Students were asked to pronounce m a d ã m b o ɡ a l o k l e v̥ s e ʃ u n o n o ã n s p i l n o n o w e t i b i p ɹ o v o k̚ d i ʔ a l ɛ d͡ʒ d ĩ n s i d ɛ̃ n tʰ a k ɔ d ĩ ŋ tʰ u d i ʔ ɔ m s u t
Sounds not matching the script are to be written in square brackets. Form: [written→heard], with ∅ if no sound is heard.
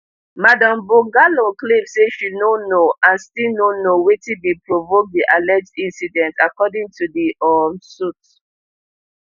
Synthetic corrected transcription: m a d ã m b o ɡ a l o k l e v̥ s e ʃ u n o n o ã n s [p→t] i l n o n o w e t i b i p ɹ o v o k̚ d i ʔ a l ɛ d͡ʒ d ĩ n s i d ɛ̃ n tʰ a k ɔ d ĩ ŋ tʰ u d i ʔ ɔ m s u t